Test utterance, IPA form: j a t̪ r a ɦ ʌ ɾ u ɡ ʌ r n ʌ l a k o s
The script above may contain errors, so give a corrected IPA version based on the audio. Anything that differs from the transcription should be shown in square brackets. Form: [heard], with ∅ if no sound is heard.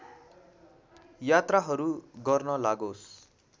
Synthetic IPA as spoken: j a t̪ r a ɦ ʌ ɾ u ɡ ʌ r n ʌ l a [ɡ] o s